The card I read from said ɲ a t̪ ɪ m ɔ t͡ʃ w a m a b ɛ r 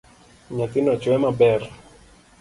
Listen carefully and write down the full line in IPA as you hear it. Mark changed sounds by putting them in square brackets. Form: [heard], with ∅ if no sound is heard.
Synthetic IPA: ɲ a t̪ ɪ [n] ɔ t͡ʃ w [ɛ] m a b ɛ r